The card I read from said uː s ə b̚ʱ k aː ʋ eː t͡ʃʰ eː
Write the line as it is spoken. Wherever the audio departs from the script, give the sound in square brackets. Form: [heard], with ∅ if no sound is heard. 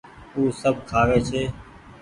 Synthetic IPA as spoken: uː s ə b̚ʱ [kʰ] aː ʋ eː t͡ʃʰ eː